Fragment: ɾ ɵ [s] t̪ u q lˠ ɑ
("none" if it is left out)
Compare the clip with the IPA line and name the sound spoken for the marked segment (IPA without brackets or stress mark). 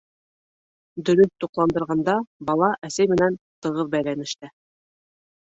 θ